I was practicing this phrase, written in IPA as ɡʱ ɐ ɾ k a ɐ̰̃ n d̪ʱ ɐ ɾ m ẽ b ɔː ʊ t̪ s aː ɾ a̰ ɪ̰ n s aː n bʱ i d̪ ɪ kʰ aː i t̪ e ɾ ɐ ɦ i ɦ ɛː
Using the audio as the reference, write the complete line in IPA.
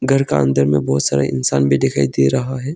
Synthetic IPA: ɡʱ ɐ ɾ k a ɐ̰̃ n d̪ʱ ə ɾ m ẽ b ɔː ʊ t̪ s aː ɾ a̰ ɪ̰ n s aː n bʱ i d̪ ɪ kʰ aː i d̪ e ɾ ɐ ɦ a ɦ ɛː

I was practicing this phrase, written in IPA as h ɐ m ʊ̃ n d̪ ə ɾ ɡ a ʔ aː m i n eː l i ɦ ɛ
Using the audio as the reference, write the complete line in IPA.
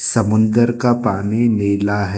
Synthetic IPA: s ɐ m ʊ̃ n d̪ ə ɾ k a p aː n i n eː l a ɦ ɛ

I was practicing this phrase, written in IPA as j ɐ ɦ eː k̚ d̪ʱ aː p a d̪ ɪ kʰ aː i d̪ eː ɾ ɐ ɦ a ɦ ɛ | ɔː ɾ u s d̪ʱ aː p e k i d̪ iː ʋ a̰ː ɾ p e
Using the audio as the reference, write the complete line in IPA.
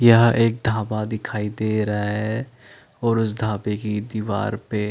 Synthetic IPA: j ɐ ɦ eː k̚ d̪ʱ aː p a d̪ ɪ kʰ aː i d̪ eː ɾ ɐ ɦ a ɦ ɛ | ɔː ɾ ʊ s d̪ʱ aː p e k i d̪ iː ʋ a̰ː ɾ p e

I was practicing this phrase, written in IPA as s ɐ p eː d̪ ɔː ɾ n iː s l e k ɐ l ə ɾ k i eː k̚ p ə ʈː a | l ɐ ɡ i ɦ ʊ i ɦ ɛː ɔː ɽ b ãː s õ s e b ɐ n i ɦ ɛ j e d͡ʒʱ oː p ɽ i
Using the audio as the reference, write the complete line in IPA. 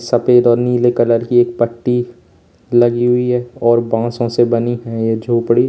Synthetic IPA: s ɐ p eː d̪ ɔː ɾ n iː l e k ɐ l ə ɾ k i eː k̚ p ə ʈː i | l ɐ ɡ i ɦ ʊ i ɦ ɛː ɔː ɾ b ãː s õ s e b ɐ n i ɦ ɛ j e d͡ʒʱ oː p ɽ i

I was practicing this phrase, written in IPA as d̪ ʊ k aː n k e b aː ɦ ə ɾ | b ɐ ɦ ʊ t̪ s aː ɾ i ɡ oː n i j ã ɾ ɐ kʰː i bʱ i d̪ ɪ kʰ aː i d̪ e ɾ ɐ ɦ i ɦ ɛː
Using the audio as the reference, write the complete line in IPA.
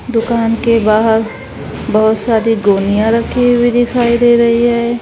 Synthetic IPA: d̪ ʊ k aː n k e b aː ɦ ə ɾ | b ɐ ɦ ʊ t̪ s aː ɾ i ɡ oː n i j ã ɾ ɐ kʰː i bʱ i d̪ ɪ kʰ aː i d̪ e ɾ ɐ ɦ i ɦ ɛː

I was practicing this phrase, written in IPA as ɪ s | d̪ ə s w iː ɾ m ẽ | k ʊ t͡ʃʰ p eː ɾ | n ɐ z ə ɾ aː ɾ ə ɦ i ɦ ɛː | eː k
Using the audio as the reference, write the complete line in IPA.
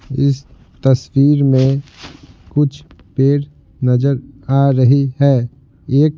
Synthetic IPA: ɪ s | t̪ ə s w iː ɾ m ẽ | k ʊ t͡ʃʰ p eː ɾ | n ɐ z ə ɾ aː ɾ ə ɦ i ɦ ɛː | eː k

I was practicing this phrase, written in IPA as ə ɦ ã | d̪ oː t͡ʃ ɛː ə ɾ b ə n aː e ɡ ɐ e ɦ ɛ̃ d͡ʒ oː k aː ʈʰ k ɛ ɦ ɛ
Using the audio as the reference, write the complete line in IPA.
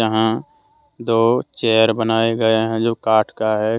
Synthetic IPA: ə ɦ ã | d̪ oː t͡ʃ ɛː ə ɾ b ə n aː e ɡ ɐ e ɦ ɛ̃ d͡ʒ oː k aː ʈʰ k a ɦ ɛ

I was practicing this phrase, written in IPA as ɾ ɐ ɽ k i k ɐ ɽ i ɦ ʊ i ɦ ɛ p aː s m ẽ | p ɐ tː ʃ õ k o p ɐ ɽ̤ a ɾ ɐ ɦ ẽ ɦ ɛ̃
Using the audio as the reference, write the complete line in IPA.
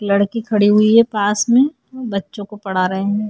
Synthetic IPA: l ɐ ɽ k i kʰ ɐ ɽ i ɦ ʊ i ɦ ɛ p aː s m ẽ | b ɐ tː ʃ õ k o p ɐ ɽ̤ a ɾ ɐ ɦ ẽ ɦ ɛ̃

